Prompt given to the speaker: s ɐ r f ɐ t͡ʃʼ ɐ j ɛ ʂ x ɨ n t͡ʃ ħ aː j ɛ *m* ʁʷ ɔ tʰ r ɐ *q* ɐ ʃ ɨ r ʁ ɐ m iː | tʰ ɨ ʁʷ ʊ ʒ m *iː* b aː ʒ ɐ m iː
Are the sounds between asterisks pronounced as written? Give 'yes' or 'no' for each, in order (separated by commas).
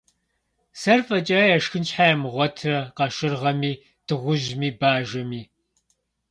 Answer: yes, yes, yes